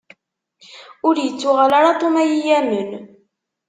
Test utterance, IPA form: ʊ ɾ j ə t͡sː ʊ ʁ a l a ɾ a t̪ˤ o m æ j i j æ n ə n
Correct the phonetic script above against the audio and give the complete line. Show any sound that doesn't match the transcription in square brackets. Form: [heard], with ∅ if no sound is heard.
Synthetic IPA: ʊ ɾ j ə t͡sː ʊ ʁ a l a ɾ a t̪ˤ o m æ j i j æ [m] ə n